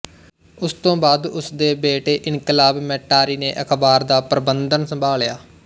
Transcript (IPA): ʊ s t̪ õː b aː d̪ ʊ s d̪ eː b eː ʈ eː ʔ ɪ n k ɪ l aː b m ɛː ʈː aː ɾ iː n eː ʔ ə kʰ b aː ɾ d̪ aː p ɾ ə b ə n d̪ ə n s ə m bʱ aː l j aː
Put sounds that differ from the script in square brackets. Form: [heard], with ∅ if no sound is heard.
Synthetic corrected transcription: ʊ s t̪ õː b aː d̪ ʊ s d̪ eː b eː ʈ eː ʔ ɪ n k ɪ l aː b m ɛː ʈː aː ɾ iː n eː ʔ ə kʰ b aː ɾ d̪ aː p ɾ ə b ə n d̪ ə n s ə m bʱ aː l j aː